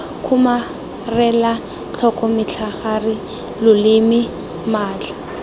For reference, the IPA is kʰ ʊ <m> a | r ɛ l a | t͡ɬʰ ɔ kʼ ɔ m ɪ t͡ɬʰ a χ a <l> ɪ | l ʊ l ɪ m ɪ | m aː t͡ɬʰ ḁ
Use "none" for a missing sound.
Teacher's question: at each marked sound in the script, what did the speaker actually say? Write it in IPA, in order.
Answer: m, r

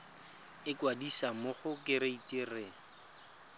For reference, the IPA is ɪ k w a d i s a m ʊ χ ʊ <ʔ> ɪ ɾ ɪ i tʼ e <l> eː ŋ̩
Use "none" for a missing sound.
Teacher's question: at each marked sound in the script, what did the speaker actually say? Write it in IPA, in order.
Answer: k, r

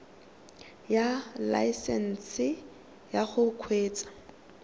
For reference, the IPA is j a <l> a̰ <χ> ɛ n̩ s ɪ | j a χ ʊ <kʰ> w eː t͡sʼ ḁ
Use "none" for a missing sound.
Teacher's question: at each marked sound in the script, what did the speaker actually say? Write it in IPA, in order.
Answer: l, s, kʰ

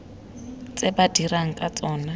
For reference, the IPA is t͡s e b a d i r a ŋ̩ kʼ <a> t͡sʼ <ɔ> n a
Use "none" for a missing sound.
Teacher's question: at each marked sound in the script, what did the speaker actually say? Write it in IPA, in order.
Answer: a, ɔː

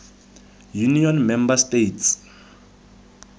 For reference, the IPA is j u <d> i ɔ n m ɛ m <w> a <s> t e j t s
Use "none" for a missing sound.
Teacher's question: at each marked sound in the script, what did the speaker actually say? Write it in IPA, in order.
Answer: n, b, s

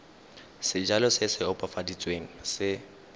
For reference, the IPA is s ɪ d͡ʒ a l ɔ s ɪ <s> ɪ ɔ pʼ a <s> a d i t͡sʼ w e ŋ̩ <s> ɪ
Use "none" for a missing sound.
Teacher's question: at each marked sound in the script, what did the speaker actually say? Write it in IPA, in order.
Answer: s, f, s

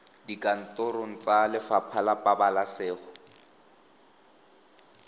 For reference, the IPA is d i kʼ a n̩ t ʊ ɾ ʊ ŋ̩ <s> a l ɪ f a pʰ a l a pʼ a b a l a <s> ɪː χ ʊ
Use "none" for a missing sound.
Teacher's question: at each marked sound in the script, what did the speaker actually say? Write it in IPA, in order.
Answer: t͡s, s

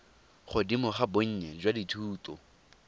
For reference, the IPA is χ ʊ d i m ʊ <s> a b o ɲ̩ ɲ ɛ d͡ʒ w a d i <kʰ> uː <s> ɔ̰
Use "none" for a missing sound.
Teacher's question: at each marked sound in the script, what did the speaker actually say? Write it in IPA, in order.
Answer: χ, tʰ, t

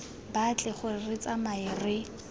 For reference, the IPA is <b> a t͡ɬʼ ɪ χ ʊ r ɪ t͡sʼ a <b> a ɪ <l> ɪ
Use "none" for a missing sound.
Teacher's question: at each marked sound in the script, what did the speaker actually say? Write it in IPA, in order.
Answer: b, m, r

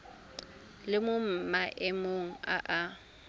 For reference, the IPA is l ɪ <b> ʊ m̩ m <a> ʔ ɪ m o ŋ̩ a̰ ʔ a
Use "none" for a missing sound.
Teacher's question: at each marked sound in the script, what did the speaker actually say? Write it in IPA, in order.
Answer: m, a

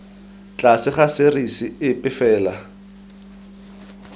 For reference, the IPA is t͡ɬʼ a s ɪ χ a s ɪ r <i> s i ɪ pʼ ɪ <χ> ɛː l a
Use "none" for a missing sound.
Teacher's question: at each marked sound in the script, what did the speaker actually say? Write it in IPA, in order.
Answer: i, f

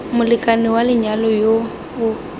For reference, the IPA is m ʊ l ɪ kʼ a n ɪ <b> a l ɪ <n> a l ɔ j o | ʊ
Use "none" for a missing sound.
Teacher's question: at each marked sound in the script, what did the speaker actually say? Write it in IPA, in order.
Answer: w, ɲ

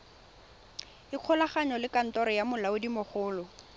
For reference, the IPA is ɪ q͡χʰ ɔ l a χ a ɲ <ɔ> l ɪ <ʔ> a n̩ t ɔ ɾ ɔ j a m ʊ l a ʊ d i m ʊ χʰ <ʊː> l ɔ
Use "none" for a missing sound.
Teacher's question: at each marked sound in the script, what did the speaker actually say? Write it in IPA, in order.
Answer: ɔ, k, ʊː

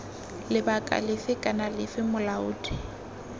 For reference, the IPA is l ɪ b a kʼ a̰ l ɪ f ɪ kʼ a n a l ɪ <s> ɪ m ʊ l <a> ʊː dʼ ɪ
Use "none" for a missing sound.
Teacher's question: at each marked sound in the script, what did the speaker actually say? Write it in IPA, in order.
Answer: f, a

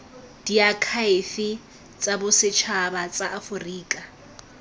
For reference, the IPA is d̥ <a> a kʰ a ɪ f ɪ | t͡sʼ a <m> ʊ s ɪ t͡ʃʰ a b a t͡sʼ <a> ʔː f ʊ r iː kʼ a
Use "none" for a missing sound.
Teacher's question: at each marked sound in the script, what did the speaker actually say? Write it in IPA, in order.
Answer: i, b, a

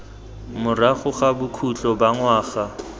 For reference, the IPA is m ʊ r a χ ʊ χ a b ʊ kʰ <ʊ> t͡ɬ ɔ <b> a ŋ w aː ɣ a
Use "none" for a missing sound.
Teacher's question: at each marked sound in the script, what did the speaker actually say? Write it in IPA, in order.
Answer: u, b

